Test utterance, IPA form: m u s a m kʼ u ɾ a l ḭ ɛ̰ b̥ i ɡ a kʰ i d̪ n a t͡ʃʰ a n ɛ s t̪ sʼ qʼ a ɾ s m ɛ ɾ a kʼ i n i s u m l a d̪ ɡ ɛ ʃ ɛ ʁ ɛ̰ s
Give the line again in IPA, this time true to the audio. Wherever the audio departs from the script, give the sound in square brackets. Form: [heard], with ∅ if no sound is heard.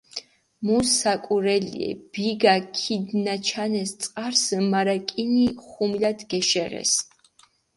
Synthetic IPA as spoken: m u s a [∅] kʼ u ɾ [ɛ] l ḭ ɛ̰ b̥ i ɡ a kʰ i d̪ n a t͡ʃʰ a n ɛ s t̪ sʼ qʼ a ɾ s m [a] ɾ a kʼ i n i [χ] u m l a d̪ ɡ ɛ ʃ ɛ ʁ ɛ̰ s